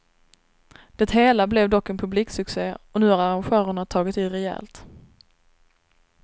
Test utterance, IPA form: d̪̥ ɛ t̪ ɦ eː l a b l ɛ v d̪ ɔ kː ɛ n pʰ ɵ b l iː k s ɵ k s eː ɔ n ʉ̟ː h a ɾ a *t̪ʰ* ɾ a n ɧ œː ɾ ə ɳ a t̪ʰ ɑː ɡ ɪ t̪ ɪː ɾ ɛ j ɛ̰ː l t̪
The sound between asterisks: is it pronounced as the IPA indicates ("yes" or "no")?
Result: no